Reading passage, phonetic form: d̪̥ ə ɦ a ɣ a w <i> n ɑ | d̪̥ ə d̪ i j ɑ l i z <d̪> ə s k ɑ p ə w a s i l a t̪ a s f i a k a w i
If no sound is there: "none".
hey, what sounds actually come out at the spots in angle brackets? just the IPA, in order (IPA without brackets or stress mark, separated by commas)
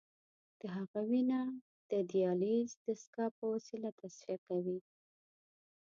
i, d̪